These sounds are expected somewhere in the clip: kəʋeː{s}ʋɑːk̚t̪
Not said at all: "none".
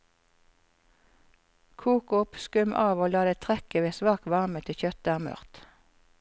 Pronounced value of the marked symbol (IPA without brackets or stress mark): s